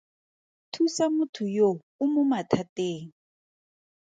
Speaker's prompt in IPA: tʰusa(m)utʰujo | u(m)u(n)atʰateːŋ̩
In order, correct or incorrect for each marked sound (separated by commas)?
correct, correct, incorrect